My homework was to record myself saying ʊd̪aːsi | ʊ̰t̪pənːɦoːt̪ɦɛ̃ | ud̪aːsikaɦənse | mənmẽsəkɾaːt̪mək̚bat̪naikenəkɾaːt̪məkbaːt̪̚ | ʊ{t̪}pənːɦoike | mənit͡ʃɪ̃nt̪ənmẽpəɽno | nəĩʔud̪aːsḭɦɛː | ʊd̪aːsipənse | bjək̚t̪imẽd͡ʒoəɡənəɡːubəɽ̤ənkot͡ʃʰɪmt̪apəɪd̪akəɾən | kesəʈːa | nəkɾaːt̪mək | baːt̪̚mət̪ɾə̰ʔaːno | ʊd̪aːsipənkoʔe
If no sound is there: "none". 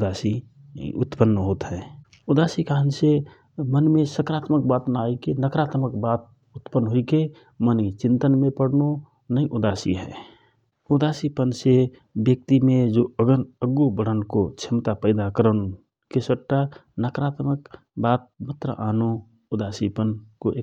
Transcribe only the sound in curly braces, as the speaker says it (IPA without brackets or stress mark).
t̪